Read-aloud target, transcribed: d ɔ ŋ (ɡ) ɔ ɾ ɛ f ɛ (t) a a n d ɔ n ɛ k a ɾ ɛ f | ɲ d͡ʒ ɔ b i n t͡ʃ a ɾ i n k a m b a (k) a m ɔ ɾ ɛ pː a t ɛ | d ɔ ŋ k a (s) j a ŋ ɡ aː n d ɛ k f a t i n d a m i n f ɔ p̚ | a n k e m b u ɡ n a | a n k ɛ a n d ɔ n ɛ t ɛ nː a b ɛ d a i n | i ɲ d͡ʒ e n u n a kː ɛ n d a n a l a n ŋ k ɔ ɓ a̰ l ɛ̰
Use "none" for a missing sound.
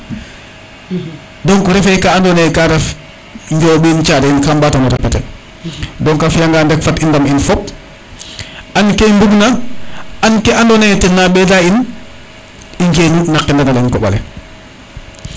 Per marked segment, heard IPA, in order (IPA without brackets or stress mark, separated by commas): k, k, t, f